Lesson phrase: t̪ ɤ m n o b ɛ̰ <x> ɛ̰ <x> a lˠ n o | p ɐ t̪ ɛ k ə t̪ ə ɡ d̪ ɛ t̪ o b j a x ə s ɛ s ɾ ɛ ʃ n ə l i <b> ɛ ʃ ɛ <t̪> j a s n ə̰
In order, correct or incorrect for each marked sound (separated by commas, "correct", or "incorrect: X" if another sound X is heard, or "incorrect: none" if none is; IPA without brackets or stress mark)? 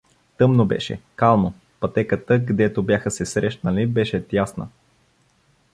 incorrect: ʃ, incorrect: k, correct, correct